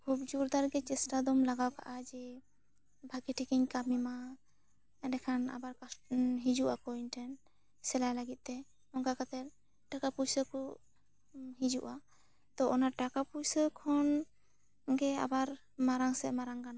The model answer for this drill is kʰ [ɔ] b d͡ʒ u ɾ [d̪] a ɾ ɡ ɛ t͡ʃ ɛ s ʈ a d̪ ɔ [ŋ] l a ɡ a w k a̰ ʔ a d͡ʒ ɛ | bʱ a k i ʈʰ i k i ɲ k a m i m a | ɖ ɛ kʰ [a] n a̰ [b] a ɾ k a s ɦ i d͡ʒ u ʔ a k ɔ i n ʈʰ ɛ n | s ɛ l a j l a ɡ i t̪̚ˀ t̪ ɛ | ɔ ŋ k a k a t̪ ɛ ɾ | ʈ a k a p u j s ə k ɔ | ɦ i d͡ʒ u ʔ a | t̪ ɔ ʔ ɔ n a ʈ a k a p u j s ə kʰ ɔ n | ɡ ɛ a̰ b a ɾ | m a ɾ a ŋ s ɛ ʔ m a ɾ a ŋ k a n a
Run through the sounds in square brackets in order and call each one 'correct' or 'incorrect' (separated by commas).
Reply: incorrect, correct, incorrect, correct, correct